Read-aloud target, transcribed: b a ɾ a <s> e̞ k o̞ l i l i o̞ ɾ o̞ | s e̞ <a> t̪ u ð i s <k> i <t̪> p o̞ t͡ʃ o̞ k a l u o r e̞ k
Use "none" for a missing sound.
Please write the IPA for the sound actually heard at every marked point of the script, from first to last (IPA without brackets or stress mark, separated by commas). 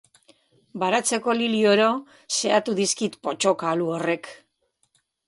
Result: t͡s, a, k, t̪